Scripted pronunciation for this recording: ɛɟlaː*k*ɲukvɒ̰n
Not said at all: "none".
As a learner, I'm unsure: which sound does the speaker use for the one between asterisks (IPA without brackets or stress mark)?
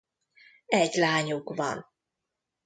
none